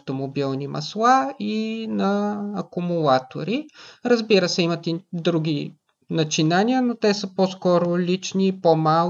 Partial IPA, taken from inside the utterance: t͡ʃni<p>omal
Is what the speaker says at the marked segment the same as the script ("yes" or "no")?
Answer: yes